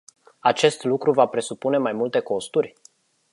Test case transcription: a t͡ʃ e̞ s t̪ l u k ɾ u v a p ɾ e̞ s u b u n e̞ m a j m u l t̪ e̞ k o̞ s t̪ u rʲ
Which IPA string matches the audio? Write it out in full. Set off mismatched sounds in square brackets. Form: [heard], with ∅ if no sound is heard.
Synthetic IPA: a t͡ʃ e̞ s t̪ l u k ɾ u v a p ɾ e̞ s u [p] u n e̞ m a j m u l t̪ e̞ k o̞ s t̪ u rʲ

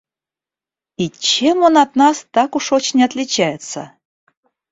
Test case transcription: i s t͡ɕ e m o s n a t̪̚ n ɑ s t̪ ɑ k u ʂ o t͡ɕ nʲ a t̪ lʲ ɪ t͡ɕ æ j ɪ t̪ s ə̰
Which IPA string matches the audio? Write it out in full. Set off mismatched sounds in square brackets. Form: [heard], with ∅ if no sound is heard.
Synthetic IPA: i [∅] t͡ɕ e m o [∅] n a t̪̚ n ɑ s t̪ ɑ k u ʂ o t͡ɕ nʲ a t̪ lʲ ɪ t͡ɕ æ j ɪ t̪ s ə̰

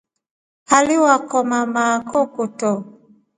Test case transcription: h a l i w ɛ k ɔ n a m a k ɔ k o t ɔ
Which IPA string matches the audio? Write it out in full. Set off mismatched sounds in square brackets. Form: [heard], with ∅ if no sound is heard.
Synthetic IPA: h a l i w [a] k ɔ [m] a m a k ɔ k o t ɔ

